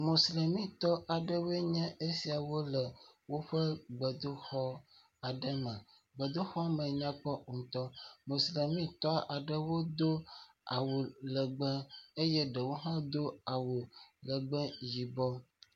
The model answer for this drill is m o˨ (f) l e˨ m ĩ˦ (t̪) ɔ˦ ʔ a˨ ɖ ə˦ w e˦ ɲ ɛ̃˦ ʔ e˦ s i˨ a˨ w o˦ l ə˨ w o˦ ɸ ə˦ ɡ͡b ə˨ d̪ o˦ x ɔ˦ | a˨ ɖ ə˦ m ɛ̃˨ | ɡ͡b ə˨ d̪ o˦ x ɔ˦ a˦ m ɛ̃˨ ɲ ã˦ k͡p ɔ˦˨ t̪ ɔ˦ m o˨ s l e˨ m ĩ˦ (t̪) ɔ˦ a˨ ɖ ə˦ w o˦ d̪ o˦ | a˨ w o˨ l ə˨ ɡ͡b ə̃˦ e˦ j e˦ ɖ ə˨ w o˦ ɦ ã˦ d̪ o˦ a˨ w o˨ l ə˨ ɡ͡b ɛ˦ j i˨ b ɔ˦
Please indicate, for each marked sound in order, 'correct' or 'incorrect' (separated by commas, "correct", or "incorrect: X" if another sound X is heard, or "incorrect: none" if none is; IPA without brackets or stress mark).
incorrect: s, correct, correct